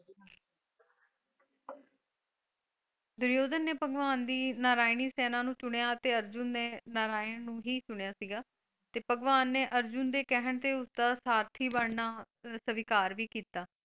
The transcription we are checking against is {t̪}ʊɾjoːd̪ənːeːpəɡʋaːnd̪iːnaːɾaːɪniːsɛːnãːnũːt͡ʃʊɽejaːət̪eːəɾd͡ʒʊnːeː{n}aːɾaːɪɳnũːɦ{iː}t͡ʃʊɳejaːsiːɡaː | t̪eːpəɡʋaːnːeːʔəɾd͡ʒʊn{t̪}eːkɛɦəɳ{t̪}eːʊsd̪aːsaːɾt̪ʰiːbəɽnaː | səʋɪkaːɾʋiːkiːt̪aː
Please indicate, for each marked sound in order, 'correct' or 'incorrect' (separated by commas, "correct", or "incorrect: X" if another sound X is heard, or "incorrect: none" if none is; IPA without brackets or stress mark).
incorrect: d̪, correct, correct, incorrect: d̪, correct